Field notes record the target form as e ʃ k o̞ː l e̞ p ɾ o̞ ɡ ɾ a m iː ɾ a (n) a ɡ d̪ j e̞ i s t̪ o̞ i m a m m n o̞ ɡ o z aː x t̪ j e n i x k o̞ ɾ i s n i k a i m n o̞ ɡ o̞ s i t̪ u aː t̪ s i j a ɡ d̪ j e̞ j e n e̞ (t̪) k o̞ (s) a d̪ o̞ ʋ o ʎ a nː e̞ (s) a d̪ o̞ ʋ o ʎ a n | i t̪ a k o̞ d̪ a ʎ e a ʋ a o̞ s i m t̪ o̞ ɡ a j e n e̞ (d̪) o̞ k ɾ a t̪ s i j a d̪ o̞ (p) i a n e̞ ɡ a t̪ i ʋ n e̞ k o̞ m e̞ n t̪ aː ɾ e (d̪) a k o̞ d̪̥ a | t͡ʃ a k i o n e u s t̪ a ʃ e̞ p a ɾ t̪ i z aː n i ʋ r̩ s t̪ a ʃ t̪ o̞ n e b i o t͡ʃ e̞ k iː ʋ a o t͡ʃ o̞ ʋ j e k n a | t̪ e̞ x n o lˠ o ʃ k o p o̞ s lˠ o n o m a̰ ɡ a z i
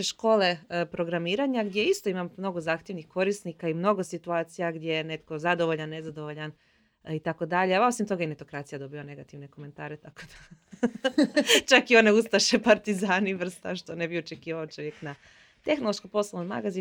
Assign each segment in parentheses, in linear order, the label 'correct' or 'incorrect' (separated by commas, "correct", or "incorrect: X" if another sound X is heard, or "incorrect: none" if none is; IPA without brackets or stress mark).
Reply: incorrect: ɲ, correct, incorrect: z, incorrect: z, incorrect: t̪, incorrect: b, incorrect: t̪